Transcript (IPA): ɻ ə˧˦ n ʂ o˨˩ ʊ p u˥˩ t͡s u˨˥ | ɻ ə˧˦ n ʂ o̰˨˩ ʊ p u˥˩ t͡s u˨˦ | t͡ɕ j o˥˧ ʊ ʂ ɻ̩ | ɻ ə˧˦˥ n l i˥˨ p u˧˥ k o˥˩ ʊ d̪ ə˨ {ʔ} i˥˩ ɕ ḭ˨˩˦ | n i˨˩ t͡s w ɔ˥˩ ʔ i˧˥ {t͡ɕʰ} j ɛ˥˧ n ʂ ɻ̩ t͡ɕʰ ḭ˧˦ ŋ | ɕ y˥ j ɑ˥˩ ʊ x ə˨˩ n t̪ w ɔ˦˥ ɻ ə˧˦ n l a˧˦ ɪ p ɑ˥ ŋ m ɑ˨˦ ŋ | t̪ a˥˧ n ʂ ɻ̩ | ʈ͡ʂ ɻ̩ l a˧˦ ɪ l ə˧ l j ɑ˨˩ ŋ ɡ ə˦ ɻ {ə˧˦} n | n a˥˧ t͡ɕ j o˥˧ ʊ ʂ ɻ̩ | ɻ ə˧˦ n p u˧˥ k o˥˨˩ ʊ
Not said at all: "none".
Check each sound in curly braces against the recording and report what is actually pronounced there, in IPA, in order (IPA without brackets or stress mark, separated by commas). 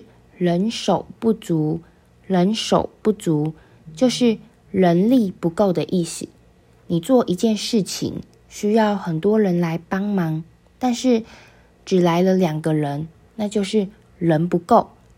ʔ, t͡ɕ, ə˧˦